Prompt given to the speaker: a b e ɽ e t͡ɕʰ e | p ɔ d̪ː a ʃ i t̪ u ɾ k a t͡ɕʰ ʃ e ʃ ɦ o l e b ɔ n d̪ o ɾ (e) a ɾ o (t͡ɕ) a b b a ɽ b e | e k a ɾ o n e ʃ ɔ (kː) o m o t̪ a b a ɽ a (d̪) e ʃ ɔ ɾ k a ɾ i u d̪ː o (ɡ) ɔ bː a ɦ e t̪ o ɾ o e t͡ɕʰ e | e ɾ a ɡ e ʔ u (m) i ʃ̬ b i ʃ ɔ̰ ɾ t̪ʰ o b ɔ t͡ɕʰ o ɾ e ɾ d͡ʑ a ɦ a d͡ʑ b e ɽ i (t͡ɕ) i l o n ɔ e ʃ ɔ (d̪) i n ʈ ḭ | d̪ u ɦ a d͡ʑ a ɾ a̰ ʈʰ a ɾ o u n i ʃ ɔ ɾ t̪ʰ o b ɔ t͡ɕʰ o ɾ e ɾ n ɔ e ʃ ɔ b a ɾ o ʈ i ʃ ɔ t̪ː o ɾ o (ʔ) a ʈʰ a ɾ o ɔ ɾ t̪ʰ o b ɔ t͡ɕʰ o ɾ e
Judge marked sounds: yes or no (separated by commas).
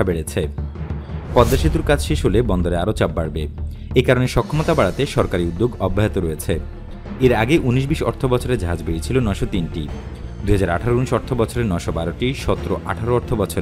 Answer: yes, yes, no, no, yes, no, no, no, yes